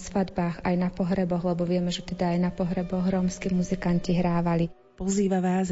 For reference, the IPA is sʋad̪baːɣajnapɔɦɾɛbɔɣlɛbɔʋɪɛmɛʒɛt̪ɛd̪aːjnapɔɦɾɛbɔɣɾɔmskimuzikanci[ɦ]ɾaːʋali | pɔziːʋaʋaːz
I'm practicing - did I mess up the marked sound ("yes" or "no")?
no